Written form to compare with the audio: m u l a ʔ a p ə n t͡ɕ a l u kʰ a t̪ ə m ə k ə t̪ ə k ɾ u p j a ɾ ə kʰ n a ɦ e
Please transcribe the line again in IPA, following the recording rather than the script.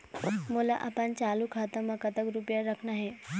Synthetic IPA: m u l a ʔ a p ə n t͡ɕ a l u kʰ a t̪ ə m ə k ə t̪ ə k ɾ u p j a ɾ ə kʰ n a ɦ e

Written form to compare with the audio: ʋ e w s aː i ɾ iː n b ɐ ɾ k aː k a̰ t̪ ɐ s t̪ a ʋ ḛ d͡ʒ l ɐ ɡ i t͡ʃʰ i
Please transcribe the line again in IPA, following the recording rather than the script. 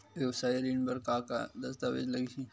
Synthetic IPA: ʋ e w s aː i ɾ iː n b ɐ ɾ k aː k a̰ d̪ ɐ s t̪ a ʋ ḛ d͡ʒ l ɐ ɡ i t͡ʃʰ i

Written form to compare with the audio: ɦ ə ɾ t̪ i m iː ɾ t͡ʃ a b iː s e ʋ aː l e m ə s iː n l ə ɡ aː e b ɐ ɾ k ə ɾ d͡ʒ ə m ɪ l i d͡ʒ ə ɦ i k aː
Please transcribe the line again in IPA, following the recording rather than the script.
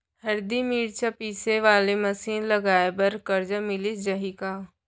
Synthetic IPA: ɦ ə ɾ d̪ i m iː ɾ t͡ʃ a p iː s e ʋ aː l e m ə s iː n l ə ɡ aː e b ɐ ɾ k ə ɾ d͡ʒ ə m ɪ l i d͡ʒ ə ɦ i k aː

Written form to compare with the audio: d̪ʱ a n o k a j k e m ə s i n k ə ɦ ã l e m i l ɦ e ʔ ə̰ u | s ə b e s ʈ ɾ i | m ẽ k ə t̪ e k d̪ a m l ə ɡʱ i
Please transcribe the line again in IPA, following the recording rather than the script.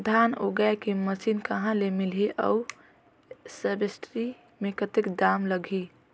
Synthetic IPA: d̪ʱ a n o ɡ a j k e m ə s i n k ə ɦ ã l e m i l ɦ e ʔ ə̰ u | s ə b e s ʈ ɾ i | m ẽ k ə t̪ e k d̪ a m l ə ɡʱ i

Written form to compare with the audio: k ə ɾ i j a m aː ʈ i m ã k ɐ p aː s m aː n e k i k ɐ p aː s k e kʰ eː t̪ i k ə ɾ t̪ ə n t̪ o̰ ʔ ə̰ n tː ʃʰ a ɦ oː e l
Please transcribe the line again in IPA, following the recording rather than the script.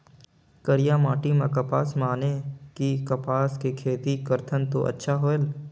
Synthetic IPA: k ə ɾ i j a m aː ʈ i m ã k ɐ p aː s m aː n e k i k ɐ p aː s k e kʰ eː t̪ i k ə ɾ t̪ʰ ə n t̪ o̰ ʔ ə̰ tː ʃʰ a ɦ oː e l

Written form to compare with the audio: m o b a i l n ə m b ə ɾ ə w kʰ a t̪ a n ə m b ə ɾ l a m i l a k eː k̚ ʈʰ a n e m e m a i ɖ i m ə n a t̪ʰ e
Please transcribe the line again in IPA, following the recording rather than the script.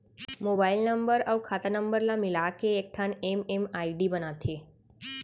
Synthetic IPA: m o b a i l n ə m b ə ɾ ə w kʰ a t̪ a n ə m b ə ɾ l a m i l a k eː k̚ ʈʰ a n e m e m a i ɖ i b ə n a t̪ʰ e

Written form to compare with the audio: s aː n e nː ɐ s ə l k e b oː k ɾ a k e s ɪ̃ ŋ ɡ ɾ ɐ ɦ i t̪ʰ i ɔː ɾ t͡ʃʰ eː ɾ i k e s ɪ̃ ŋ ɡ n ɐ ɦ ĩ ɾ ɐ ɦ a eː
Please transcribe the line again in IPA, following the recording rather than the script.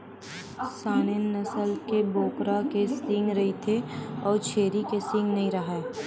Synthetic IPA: s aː n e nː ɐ s ə l k e b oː k ɾ a k e s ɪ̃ ŋ ɡ ɾ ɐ ɦ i t̪ʰ e ɔː ɾ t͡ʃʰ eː ɾ i k e s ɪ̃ ŋ ɡ n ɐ ɦ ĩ ɾ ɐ ɦ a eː

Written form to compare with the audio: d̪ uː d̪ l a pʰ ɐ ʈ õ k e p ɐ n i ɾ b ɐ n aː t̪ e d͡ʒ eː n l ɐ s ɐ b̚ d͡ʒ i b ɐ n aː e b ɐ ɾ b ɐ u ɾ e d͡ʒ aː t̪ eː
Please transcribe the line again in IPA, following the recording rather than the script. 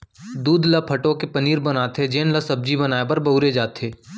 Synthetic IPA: d̪ uː d̪ l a pʰ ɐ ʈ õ k e p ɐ n iː ɾ b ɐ n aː t̪ e d͡ʒ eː n l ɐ s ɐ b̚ d͡ʒ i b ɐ n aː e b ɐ ɾ b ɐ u ɾ e d͡ʒ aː t̪ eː

